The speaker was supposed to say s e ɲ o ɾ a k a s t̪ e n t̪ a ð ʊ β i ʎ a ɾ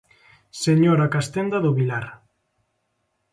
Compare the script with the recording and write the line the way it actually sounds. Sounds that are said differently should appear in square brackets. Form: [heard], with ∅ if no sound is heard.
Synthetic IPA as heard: s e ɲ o ɾ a k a s t̪ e n [d̪] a ð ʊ β i [l] a ɾ